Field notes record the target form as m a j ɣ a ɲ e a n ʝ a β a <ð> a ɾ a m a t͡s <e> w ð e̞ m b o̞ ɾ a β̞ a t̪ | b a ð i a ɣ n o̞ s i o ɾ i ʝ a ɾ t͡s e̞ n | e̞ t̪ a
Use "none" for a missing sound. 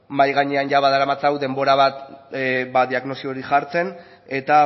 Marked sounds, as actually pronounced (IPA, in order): ð, a

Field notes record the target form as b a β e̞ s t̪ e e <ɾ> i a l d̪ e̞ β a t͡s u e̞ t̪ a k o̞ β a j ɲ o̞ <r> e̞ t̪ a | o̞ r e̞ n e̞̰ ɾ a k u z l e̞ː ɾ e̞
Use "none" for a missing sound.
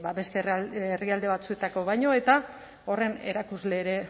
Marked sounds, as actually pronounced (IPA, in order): r, none

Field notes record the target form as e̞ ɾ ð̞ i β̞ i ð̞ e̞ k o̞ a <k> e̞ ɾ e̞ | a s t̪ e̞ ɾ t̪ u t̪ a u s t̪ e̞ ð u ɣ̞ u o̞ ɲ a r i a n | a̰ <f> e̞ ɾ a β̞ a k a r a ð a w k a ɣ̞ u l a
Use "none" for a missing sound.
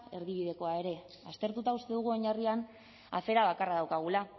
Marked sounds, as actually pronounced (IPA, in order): none, f

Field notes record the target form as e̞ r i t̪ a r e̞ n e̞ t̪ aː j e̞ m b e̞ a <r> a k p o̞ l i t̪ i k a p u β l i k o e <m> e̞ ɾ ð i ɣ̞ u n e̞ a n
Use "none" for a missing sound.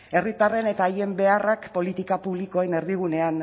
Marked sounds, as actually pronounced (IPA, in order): r, n

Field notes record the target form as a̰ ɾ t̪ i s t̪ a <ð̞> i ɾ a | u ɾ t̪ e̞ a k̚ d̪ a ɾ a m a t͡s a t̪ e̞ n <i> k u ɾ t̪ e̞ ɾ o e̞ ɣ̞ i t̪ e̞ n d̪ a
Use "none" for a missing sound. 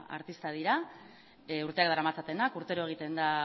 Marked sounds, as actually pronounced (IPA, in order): ð̞, a

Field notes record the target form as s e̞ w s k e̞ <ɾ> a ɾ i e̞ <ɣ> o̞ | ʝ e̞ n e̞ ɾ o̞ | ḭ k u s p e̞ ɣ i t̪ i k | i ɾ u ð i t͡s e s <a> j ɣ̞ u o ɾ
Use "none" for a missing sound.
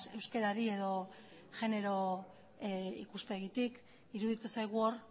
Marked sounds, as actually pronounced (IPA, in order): ɾ, ð, a

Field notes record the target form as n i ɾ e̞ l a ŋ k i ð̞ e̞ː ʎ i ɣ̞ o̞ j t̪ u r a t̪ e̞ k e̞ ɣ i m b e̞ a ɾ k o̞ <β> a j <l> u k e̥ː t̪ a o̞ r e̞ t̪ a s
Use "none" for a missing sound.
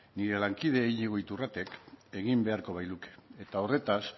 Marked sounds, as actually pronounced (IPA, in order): β, l

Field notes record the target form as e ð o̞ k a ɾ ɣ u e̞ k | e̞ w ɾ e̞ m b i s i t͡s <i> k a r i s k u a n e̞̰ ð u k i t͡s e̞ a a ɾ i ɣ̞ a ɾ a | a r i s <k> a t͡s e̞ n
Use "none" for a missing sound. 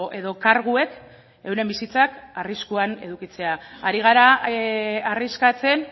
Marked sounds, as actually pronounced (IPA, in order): a, k

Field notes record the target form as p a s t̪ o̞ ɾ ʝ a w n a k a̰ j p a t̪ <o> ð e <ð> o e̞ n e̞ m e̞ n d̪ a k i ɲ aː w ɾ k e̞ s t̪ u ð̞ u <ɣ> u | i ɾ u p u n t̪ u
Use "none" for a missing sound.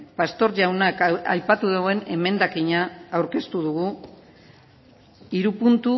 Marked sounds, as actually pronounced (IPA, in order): u, ɣ, ɣ

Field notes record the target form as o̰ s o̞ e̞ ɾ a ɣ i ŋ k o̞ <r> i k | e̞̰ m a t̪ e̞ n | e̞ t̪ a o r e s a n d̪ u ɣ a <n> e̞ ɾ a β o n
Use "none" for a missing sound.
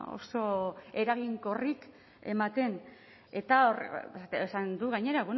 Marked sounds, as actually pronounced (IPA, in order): r, ɲ

